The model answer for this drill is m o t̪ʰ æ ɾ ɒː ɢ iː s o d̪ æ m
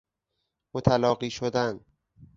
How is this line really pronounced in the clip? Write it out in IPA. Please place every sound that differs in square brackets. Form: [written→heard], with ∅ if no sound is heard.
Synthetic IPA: m o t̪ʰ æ [ɾ→l] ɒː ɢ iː [s→ʃ] o d̪ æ [m→n]